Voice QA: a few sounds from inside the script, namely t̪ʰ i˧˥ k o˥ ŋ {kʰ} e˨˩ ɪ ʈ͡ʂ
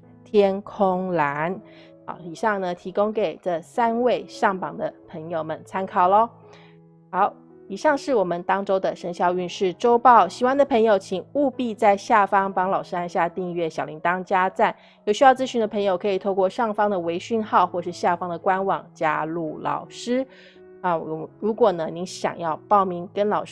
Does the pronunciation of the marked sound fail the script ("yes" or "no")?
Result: yes